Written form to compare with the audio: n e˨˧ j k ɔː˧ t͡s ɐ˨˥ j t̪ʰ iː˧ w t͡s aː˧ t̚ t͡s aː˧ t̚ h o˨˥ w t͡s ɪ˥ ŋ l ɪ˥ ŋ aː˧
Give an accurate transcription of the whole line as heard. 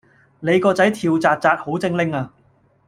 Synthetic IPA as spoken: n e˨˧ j k ɔː˧ t͡s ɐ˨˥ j t̪ʰ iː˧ w t͡s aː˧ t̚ t͡s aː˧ t̚ h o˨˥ w t͡s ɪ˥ ŋ l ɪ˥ ŋ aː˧